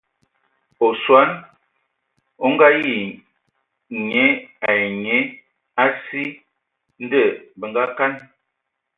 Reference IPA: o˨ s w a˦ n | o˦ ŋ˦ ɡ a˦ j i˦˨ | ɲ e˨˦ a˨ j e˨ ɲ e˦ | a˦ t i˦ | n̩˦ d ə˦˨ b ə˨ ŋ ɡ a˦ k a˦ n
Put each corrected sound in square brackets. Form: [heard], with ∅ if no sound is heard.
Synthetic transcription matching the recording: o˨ s w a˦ n | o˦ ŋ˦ ɡ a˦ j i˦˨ | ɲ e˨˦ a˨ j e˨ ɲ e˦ | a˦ [s] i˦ | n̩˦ d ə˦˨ b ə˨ ŋ ɡ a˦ k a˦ n